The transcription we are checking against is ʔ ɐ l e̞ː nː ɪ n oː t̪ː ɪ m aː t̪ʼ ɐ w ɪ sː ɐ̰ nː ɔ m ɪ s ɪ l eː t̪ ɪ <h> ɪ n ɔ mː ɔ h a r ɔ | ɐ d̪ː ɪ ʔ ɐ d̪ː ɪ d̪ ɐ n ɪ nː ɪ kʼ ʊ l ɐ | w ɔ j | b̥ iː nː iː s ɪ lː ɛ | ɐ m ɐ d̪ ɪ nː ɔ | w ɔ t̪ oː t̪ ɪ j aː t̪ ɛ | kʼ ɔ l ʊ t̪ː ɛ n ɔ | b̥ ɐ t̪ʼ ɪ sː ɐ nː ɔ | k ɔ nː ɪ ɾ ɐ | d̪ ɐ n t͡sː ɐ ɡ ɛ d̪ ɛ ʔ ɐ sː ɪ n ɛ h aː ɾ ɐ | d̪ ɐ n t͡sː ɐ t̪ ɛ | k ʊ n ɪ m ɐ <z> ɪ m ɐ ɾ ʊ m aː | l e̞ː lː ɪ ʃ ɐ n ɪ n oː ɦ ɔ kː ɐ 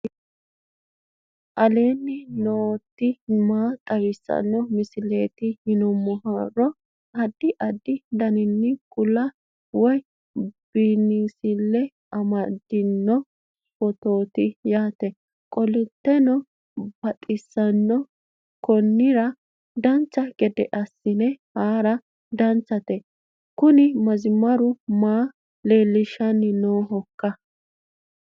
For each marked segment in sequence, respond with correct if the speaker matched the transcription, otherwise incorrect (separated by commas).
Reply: correct, correct